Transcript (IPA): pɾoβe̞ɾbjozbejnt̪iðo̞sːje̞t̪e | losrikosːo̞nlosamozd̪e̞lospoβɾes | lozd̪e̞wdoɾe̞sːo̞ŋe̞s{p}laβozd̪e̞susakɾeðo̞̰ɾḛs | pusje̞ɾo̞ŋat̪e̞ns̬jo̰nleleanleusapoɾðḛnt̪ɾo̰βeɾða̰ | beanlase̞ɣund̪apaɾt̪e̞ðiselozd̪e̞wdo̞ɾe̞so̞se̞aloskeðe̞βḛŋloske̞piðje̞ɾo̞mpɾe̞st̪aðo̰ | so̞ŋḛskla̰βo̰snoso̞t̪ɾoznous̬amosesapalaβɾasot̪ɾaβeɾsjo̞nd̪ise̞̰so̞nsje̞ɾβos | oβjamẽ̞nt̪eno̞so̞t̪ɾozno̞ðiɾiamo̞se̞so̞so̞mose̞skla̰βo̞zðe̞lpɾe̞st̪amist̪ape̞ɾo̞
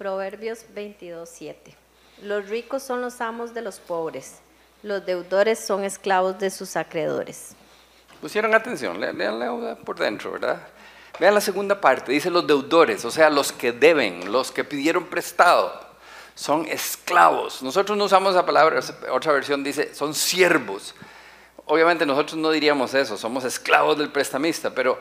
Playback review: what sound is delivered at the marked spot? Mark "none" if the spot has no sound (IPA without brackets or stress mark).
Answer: k